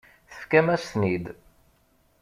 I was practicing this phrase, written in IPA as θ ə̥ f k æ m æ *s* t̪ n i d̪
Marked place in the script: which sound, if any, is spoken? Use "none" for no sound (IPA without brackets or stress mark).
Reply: s